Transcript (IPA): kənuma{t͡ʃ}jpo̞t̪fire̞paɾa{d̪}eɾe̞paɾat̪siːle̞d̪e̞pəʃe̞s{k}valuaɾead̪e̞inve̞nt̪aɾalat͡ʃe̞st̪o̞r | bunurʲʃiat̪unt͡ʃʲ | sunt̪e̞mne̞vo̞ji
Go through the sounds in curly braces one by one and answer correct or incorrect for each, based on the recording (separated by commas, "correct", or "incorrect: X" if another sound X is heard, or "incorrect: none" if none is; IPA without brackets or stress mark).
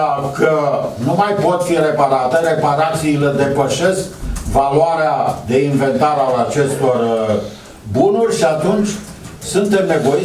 incorrect: none, incorrect: t̪, correct